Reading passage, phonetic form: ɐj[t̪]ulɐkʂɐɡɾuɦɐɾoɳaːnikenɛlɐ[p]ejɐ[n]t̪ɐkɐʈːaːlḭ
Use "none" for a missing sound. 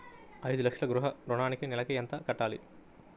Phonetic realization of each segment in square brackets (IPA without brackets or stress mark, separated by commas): d̪, k, n